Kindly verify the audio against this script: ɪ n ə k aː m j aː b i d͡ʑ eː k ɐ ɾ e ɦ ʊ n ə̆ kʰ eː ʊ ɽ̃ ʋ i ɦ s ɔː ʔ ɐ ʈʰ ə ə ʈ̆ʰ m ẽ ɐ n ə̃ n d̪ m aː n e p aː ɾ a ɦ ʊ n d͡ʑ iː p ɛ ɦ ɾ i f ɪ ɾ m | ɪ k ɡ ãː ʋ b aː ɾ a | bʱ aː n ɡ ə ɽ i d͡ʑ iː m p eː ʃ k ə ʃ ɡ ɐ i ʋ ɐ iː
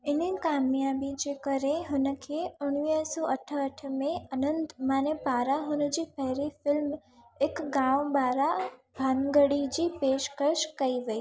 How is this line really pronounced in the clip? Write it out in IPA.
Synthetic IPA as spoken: ɪ n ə k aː m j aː b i d͡ʑ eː k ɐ ɾ e ɦ ʊ n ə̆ kʰ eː ʊ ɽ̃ ʋ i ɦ s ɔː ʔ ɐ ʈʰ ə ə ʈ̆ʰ m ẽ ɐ n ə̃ n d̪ m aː n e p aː ɾ a ɦ ʊ n d͡ʑ iː p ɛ ɦ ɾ i f ɪ l m | ɪ k ɡ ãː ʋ b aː ɾ a | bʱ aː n ɡ ə ɽ i d͡ʑ iː p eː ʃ k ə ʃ k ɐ i ʋ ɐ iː